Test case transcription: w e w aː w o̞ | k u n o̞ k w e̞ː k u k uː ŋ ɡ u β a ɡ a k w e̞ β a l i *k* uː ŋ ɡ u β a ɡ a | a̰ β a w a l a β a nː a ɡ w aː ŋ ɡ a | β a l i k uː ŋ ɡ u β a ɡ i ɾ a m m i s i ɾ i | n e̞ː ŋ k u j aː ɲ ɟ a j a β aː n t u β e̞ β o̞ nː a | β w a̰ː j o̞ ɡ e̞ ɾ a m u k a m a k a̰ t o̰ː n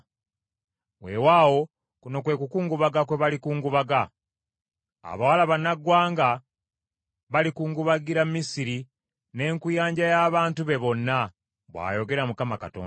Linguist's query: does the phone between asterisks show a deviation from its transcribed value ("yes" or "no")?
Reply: no